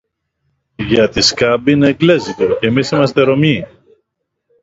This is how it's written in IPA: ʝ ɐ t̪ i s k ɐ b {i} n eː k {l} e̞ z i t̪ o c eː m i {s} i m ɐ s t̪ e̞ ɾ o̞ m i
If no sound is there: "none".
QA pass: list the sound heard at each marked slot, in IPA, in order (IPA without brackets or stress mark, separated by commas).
i, l, s